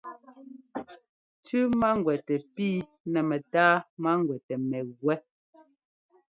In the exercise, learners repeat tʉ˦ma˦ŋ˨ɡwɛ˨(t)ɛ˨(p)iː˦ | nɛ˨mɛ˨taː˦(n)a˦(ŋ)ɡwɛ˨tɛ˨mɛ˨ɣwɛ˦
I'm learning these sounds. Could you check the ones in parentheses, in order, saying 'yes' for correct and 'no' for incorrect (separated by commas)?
yes, yes, no, yes